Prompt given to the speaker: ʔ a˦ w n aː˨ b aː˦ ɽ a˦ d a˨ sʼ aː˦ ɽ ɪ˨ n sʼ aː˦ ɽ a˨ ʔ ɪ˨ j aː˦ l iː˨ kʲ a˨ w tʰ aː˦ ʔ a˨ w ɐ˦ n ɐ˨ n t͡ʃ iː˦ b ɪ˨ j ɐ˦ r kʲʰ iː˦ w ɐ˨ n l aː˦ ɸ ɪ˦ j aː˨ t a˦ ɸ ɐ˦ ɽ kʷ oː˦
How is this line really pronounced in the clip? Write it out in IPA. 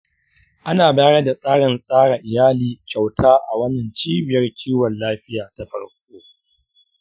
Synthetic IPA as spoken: ʔ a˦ n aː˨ b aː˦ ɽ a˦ d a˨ sʼ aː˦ ɽ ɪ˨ n sʼ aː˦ ɽ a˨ ʔ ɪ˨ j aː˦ l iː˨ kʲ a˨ w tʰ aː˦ ʔ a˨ w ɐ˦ n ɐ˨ n t͡ʃ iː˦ b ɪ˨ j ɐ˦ r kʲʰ iː˦ w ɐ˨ n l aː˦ ɸ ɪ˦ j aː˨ t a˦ ɸ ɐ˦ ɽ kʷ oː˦